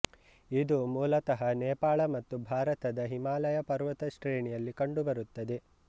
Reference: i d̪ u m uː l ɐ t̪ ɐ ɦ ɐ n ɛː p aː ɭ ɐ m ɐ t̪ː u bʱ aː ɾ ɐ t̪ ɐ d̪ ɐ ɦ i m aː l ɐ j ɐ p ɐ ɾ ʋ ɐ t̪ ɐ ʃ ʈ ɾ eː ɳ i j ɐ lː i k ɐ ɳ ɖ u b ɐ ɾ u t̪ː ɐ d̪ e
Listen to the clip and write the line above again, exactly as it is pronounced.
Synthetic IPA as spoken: i d̪ u m uː l ɐ t̪ ɐ ɦ ɐ n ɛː p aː ɭ ɐ m ɐ t̪ː u bʱ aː ɾ ɐ t̪ ɐ d̪ ɐ ɦ i m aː l ɐ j ɐ p ɐ ɾ ʋ ɐ t̪ ɐ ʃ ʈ ɾ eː ɳ i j ɐ lː i k ɐ ɳ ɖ u b ɐ ɾ u t̪ː ɐ d̪ e